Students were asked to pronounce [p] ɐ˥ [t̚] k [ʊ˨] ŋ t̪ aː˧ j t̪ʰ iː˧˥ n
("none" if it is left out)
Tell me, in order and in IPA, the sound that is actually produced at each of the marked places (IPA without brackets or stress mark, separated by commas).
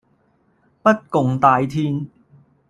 p, t̚, ʊ˨